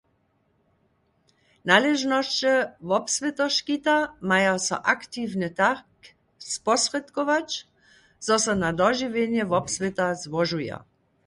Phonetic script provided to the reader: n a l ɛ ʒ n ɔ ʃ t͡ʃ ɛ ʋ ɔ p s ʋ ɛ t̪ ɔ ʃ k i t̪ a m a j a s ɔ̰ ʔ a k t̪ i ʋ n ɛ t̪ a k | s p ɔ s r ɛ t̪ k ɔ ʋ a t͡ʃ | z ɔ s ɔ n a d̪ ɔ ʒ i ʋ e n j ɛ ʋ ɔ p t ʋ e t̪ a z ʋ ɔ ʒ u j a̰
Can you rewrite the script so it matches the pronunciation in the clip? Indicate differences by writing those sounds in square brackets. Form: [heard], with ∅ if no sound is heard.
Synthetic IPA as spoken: n a l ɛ ʒ n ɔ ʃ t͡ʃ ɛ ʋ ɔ p s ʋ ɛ t̪ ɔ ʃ k i t̪ a m a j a s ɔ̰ ʔ a k t̪ i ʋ n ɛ t̪ a k | s p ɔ s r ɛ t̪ k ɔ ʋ a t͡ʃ | z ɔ s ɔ n a d̪ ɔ ʒ i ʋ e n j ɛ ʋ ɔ p [s] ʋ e t̪ a z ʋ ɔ ʒ u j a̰